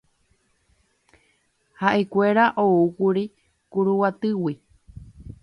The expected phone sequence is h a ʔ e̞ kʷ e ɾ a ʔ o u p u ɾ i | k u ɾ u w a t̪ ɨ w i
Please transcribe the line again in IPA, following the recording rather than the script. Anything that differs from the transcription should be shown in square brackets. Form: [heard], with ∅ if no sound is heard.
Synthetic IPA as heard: h a ʔ e̞ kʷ e ɾ a ʔ o u [k] u ɾ i | k u ɾ u w a t̪ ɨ w i